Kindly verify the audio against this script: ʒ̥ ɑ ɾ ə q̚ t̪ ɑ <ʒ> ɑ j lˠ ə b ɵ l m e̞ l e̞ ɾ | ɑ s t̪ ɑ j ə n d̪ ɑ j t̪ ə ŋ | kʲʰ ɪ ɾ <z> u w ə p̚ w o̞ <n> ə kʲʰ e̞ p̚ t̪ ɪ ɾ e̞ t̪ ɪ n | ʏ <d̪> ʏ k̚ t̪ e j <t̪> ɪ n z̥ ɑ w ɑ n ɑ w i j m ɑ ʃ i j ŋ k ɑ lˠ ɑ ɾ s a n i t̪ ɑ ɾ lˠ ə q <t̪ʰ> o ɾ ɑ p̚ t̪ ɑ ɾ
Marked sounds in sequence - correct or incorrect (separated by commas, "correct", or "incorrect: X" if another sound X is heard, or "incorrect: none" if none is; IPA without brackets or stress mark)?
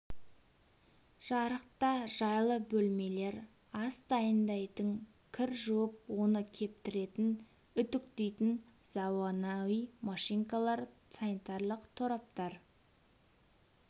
correct, incorrect: ʒ, correct, incorrect: t̪, correct, correct